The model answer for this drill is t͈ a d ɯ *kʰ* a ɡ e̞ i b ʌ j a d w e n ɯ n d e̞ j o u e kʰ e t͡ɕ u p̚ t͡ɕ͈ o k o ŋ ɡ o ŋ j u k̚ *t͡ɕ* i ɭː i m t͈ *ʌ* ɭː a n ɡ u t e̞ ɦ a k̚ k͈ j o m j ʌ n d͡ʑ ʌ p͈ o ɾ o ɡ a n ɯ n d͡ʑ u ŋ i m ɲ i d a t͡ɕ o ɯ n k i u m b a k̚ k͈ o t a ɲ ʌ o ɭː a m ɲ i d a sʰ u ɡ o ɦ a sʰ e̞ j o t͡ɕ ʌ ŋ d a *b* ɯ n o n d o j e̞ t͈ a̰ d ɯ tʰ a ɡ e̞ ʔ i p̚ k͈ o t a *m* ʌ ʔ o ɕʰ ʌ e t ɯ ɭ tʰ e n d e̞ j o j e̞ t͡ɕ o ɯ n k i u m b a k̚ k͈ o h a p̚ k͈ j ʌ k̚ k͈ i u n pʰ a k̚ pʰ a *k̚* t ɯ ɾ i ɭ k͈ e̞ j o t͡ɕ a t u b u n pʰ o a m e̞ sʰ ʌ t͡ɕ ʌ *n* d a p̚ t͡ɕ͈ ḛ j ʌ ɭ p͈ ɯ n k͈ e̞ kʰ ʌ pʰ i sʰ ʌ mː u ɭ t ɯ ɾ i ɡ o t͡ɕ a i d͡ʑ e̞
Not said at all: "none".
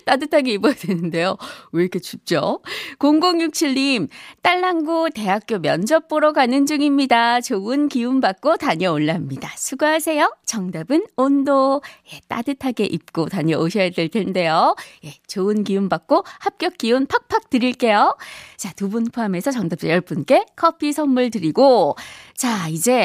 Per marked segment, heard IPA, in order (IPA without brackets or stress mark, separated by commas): tʰ, t͡ɕʰ, a, b, ɲ, k̚, ŋ